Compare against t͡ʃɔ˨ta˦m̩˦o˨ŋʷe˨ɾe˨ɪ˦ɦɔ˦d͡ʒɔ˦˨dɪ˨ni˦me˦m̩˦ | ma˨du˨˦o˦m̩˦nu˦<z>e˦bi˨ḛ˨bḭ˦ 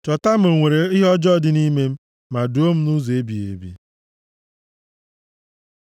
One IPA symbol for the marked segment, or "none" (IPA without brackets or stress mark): z